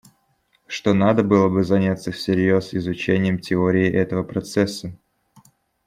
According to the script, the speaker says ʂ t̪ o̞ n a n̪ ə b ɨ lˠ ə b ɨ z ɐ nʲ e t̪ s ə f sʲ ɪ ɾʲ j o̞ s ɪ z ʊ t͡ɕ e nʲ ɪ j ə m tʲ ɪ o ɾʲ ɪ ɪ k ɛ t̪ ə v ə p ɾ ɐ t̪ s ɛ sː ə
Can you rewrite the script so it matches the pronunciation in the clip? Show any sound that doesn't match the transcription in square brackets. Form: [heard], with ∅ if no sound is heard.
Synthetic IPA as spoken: ʂ t̪ o̞ n a [d̪] ə b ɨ lˠ ə b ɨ z ɐ nʲ [a] t̪ s ə f sʲ ɪ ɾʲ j o̞ s ɪ z ʊ t͡ɕ e nʲ ɪ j ə m tʲ ɪ o ɾʲ ɪ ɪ [ʔ] ɛ t̪ ə v ə p ɾ ɐ t̪ s ɛ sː ə